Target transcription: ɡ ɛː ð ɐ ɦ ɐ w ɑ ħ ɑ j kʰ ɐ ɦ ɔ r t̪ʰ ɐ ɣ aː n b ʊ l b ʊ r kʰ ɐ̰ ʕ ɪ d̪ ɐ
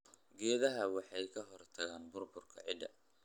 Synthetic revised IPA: ɡ ɛː ð ɐ ɦ ɐ w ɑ ħ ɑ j kʰ ɐ ɦ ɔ r t̪ʰ ɐ ɣ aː n b ʊ r b ʊ r kʰ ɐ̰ ʕ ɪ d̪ ɐ